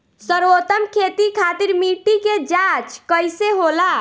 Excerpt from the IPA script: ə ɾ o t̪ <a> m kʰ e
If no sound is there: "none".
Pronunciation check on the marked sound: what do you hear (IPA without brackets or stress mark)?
ə